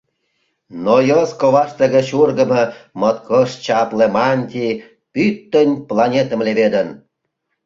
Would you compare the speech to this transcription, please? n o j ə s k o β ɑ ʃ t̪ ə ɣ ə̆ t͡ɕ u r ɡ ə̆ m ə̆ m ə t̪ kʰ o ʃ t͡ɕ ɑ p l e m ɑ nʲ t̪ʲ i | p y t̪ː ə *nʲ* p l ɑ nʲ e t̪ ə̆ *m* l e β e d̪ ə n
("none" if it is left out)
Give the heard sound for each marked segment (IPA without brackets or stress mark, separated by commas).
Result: nʲ, m